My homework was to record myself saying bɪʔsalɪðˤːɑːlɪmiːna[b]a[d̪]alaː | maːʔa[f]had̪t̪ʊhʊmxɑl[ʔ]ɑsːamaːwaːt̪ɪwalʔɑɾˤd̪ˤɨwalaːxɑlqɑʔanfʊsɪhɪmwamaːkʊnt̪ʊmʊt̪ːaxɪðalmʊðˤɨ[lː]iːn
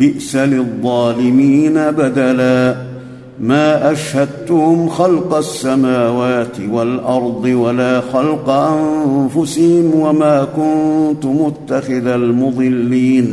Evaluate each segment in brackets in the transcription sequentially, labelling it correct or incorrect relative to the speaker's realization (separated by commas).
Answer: correct, correct, incorrect, incorrect, correct